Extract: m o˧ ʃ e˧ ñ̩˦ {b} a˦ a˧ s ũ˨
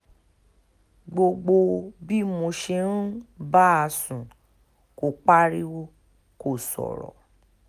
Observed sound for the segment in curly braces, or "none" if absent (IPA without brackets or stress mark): b